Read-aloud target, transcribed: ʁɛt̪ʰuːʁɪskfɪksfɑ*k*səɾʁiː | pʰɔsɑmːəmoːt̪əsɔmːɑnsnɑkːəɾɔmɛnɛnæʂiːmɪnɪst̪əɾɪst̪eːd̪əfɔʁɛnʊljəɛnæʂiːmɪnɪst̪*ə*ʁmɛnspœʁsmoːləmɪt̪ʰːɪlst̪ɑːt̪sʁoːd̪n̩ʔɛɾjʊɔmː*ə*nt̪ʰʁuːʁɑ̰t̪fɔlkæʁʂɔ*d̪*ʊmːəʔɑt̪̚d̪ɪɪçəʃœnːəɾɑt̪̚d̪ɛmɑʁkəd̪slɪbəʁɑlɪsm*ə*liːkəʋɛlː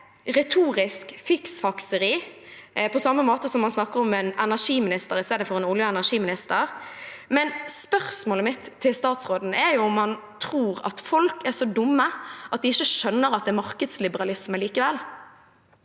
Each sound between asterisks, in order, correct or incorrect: correct, correct, incorrect: ɑ, correct, correct

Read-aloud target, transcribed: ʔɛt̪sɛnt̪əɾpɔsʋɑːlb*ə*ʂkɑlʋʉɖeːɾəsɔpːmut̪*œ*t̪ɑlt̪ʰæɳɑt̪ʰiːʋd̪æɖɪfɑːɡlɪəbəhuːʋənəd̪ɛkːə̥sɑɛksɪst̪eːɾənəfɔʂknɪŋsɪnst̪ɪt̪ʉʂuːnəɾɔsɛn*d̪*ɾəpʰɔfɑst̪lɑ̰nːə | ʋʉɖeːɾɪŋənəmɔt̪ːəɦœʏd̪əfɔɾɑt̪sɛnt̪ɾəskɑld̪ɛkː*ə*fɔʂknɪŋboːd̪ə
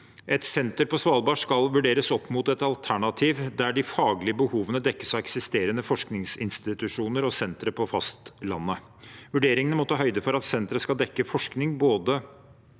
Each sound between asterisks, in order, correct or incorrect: incorrect: ɑ, incorrect: ɛ, incorrect: t̪, correct

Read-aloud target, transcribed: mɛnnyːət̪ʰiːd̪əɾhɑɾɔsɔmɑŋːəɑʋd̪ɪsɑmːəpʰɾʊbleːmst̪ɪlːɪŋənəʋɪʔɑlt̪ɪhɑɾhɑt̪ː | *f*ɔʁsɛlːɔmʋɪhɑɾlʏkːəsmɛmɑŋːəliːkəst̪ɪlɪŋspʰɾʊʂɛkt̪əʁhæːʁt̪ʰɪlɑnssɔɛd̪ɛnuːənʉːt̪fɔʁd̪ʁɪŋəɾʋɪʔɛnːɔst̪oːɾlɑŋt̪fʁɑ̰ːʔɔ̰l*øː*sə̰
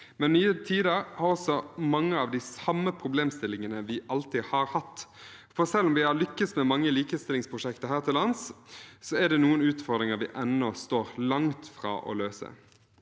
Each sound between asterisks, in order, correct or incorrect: correct, correct

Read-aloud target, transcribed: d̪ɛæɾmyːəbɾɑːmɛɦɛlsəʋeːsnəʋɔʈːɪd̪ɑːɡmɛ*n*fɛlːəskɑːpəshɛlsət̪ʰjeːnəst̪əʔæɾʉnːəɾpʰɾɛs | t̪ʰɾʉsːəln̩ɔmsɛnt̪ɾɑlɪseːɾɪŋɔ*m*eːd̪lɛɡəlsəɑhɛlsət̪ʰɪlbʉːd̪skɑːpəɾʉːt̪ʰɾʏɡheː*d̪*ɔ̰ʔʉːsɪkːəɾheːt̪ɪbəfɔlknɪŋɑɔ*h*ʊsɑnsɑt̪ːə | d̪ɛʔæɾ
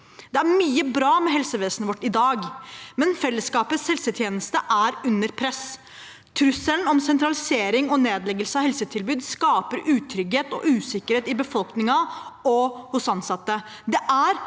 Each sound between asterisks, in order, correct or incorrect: correct, incorrect: n, incorrect: t̪, correct

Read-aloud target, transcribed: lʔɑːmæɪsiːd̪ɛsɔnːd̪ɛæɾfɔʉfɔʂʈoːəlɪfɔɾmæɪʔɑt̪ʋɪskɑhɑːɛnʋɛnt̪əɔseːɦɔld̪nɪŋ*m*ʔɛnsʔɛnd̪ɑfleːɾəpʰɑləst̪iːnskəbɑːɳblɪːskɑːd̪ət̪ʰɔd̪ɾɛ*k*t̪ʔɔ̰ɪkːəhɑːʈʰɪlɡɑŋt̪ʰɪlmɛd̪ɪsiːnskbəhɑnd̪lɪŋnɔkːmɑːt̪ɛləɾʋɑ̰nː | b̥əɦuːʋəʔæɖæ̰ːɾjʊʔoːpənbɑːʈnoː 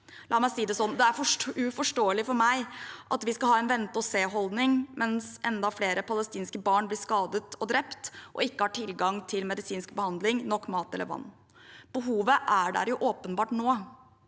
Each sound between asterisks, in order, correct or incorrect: correct, incorrect: p

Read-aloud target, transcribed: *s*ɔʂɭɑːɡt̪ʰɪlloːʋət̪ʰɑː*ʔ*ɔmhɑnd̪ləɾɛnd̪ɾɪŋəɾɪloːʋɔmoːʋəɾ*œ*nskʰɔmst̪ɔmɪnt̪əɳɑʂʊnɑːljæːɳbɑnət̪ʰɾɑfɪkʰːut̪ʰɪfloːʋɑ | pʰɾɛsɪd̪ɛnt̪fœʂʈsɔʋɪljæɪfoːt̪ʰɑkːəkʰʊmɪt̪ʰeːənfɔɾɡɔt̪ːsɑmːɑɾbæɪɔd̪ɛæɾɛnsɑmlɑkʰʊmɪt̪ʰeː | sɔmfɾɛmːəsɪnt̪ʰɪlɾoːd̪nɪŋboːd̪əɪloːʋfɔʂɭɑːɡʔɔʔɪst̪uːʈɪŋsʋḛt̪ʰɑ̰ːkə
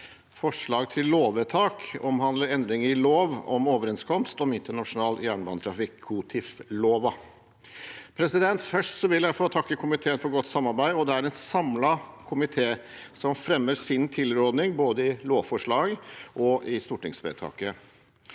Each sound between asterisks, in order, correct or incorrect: incorrect: f, incorrect: k, incorrect: ɛ

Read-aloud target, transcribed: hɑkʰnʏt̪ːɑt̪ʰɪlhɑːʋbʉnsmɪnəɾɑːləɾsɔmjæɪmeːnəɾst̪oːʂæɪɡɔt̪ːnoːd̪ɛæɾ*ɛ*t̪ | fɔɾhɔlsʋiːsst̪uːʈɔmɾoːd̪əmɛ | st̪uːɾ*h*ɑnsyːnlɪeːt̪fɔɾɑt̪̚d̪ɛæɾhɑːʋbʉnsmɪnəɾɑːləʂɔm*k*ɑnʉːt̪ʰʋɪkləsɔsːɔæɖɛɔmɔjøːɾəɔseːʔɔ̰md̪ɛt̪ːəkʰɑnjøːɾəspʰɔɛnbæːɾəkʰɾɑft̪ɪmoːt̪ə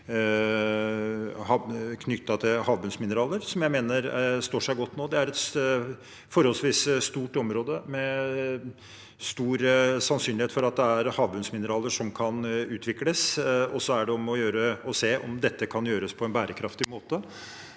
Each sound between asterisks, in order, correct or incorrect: correct, incorrect: s, incorrect: kʰ

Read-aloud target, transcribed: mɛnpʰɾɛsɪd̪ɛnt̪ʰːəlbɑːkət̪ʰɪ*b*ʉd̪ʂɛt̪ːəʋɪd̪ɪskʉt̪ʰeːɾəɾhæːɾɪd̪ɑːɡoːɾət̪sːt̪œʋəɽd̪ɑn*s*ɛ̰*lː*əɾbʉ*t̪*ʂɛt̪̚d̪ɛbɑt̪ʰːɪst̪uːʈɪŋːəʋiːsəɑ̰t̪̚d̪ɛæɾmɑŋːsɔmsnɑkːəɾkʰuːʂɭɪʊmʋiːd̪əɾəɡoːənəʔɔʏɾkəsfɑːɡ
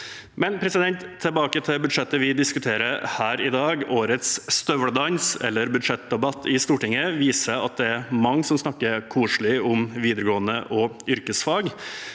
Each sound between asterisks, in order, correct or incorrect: correct, correct, correct, incorrect: d̪

